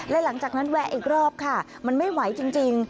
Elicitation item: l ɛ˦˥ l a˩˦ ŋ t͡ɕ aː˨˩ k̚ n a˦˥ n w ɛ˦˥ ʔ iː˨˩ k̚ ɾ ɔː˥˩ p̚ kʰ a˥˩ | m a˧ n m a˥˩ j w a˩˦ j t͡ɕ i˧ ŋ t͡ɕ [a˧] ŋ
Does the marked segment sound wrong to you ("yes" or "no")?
yes